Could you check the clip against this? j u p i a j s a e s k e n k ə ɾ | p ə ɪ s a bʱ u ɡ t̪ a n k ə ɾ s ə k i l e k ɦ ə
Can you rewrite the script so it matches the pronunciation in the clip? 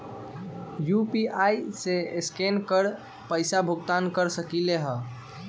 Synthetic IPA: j u p i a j s e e s k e n k ə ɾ | p ə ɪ s a bʱ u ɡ t̪ a n k ə ɾ s ə k i l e ɦ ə